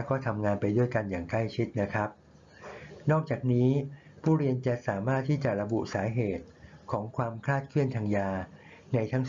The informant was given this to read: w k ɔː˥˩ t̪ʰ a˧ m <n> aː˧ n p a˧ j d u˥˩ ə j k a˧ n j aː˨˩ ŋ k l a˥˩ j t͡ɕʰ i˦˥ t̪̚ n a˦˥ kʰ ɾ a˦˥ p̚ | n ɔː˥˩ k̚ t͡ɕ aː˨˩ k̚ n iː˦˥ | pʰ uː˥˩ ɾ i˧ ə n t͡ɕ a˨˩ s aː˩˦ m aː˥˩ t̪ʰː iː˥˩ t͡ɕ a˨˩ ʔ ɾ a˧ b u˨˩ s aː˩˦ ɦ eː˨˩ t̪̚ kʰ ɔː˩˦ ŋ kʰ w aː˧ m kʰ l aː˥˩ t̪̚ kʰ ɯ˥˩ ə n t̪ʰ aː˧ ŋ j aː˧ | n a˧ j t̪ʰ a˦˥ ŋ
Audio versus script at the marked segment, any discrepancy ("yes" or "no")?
yes